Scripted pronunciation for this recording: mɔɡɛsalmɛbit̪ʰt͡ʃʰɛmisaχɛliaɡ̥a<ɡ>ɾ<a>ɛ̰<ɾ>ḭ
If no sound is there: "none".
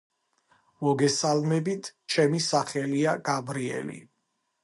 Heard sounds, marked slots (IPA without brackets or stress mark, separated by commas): b, i, l